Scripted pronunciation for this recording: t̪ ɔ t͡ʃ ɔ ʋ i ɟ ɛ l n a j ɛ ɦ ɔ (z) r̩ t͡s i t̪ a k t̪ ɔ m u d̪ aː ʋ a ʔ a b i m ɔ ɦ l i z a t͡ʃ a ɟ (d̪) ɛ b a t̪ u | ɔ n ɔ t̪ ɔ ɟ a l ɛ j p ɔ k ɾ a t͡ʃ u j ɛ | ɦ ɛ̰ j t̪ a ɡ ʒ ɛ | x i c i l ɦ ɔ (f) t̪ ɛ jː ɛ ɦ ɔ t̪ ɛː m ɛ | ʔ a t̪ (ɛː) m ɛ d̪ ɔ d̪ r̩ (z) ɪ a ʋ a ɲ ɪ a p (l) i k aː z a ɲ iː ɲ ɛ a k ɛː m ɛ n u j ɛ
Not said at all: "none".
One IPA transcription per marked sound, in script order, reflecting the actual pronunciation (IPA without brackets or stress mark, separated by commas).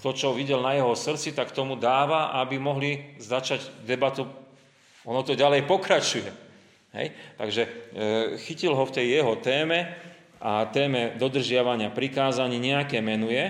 s, d̪, f, ɛː, ʒ, ɾ